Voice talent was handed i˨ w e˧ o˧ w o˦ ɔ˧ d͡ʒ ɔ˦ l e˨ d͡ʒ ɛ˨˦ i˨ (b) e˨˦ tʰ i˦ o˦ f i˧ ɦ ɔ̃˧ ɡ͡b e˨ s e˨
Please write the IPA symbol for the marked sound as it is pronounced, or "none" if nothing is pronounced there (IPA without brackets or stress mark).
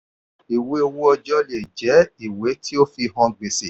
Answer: w